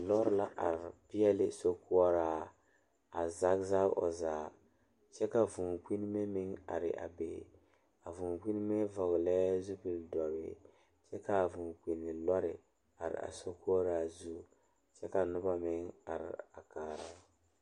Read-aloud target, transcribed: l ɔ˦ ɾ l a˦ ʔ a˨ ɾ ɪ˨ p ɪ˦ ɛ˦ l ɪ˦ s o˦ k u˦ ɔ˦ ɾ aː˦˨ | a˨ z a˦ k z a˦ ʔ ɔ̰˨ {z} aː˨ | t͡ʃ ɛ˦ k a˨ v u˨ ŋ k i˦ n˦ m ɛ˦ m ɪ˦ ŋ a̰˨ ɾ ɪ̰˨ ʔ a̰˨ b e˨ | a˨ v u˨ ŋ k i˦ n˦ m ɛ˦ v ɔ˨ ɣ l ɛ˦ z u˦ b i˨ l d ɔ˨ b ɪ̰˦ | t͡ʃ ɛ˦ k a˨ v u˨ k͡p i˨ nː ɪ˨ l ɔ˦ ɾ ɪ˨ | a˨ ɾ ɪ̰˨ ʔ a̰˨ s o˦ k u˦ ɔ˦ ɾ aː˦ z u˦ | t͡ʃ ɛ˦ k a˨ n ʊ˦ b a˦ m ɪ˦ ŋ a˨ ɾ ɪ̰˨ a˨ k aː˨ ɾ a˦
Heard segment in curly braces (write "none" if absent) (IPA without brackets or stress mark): z